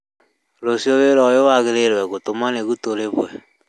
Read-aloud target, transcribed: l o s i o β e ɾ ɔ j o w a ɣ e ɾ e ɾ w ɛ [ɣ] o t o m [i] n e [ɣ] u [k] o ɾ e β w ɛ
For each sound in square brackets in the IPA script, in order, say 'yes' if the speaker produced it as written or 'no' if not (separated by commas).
yes, no, yes, no